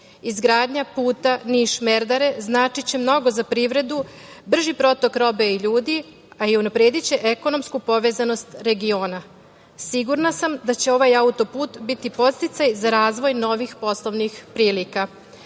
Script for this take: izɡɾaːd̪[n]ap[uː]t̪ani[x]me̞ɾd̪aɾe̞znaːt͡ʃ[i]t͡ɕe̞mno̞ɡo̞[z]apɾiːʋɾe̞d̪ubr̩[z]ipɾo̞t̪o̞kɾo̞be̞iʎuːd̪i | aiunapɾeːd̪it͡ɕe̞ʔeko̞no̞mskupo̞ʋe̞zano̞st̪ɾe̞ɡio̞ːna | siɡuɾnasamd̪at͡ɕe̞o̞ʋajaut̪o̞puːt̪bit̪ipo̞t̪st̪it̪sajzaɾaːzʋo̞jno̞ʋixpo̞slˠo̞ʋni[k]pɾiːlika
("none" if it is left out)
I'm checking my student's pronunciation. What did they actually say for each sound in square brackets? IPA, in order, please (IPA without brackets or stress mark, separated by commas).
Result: ɲ, uː, ʃ, i, z, ʒ, x